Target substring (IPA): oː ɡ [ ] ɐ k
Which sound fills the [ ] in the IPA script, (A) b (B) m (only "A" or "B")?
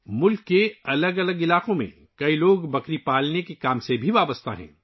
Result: A